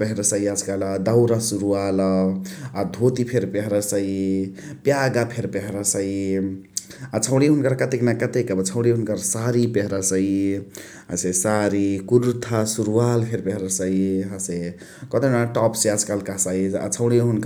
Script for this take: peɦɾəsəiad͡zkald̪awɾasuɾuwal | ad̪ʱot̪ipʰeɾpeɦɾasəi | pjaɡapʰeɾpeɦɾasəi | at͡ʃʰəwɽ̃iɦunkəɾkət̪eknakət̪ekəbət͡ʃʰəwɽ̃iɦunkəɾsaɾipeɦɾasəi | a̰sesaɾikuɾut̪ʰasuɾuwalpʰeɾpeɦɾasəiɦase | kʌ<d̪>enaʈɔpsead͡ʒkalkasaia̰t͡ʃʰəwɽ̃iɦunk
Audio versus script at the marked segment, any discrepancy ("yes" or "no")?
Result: yes